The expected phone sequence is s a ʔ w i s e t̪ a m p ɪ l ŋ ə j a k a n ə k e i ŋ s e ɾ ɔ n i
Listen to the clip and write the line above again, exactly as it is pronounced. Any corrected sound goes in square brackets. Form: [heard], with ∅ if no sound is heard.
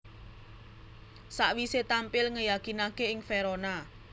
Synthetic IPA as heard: s a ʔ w i s e t̪ a m p ɪ l ŋ ə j a k [i] n [a] k e [ɪ] ŋ [f] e ɾ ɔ n [a]

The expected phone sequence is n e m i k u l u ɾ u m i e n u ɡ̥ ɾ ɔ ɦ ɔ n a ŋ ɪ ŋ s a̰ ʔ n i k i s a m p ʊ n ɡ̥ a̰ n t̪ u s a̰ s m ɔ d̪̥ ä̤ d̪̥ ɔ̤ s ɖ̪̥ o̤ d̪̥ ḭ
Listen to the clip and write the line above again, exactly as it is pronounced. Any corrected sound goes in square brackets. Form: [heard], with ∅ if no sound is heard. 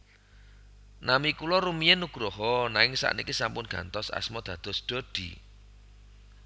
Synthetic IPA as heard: n [a] m i k u l [ɔ] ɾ u m i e n u ɡ̥ ɾ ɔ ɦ ɔ n a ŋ ɪ ŋ s a̰ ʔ n i k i s a m p ʊ n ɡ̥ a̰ n t̪ [ɔ] s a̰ s m ɔ d̪̥ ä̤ d̪̥ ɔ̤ s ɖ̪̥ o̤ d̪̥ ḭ

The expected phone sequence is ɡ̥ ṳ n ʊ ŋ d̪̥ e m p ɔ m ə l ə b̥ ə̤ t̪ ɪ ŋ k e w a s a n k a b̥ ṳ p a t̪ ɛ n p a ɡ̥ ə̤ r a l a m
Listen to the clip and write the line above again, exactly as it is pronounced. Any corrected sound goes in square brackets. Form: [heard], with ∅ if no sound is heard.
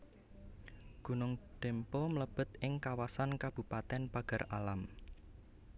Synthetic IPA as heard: ɡ̥ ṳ n ʊ ŋ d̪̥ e m p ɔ m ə l ə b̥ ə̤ t̪ ɪ ŋ k [a] w a s a n k a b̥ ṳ p a t̪ ɛ n p a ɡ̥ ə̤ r a l a m

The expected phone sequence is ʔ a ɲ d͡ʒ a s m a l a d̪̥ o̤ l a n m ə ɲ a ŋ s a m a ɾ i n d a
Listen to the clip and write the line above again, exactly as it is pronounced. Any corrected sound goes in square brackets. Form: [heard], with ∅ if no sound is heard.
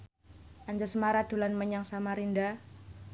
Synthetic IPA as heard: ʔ a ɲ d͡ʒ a s m a [ɾ] a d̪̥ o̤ l a n m ə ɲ a ŋ s a m a ɾ i n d a

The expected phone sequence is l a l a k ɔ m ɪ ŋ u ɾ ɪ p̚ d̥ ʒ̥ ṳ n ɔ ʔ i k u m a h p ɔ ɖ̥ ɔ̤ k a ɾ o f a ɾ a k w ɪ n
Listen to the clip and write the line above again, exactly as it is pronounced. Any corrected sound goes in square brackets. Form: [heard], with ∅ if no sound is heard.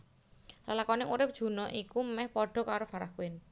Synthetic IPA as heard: l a l a k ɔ [n] ɪ ŋ u ɾ ɪ p̚ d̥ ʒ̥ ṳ n ɔ ʔ i k u m [ɛ] h p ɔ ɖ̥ ɔ̤ k a ɾ o f a ɾ a k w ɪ n

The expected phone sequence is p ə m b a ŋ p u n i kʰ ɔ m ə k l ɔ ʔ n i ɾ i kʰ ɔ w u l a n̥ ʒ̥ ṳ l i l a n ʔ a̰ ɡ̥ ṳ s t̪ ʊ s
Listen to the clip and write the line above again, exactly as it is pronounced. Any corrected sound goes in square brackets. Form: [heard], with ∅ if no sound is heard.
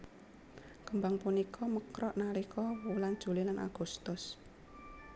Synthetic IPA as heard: [k] ə m b a ŋ p u n i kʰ ɔ m ə k [ɾ] ɔ ʔ n [a] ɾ i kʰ ɔ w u l a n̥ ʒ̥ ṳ l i l a n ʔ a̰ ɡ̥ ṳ s t̪ ʊ s

